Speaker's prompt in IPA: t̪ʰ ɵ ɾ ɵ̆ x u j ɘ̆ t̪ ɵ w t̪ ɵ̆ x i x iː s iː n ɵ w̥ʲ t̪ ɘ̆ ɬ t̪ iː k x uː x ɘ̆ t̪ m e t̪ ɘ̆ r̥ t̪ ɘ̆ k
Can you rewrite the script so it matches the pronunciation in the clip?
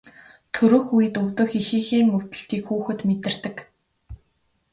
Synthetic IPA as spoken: t̪ʰ ɵ ɾ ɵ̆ x u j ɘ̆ t̪ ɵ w t̪ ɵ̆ x i x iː x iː ŋ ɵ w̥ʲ t̪ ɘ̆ ɬ t̪ iː k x uː x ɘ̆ t̪ m e t̪ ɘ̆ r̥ t̪ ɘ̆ k